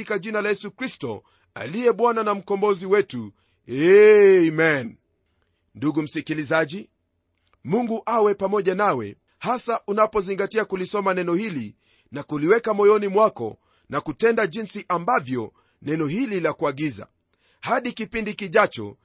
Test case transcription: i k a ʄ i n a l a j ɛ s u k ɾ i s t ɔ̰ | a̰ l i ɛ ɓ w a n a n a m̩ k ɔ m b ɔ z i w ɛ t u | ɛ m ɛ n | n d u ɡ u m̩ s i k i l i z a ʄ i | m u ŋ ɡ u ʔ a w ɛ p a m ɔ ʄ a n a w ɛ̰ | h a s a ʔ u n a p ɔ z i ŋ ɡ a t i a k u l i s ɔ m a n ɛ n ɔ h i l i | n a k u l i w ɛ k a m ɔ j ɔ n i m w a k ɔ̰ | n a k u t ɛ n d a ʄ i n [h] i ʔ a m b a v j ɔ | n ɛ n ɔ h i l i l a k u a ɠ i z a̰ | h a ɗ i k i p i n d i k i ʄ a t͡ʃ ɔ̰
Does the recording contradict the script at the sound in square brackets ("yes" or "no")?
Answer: yes